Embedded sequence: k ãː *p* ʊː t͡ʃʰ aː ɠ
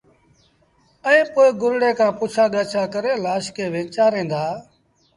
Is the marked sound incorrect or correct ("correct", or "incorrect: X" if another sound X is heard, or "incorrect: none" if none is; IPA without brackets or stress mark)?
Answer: correct